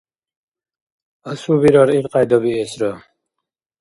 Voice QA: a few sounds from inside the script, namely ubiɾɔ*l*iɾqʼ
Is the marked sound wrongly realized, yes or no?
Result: yes